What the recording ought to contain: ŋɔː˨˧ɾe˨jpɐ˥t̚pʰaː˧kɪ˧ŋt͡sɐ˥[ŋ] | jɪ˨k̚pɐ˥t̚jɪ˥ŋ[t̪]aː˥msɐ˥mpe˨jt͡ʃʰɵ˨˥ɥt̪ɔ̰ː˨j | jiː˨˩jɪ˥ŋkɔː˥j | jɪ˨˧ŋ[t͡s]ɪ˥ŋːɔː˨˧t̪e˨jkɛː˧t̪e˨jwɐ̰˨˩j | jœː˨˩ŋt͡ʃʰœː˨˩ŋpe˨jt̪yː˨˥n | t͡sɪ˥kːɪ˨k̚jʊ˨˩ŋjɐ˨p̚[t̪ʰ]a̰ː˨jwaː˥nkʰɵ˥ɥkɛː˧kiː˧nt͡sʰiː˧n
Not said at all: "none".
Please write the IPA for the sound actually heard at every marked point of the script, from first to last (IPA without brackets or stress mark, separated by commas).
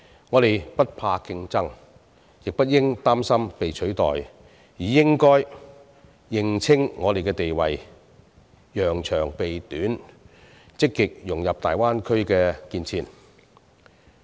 ŋ, t̪, t͡sʰ, t̪